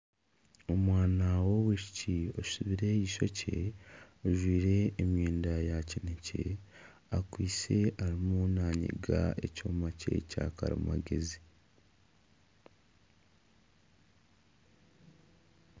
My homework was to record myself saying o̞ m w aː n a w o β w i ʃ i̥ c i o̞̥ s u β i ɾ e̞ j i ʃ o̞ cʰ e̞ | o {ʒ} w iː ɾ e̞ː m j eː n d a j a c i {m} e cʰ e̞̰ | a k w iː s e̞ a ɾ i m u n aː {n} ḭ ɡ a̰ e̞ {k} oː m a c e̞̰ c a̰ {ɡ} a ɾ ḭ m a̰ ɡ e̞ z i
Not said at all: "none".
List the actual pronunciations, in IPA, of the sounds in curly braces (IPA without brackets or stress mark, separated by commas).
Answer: ʒ, n, ɲ, c, k